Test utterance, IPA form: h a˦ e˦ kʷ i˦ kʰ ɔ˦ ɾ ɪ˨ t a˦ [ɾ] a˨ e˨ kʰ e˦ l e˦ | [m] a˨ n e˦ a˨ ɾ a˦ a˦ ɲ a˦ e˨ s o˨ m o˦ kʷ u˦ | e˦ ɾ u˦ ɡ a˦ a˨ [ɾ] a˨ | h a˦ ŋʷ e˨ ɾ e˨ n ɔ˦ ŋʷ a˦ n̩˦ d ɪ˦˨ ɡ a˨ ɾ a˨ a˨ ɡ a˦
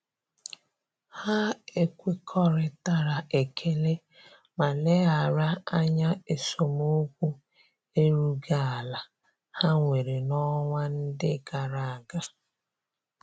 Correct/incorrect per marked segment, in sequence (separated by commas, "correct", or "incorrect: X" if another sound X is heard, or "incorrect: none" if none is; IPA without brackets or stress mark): correct, correct, incorrect: l